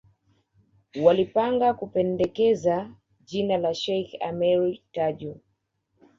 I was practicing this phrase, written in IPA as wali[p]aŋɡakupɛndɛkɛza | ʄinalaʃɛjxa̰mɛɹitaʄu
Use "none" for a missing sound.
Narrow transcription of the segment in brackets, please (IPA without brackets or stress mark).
p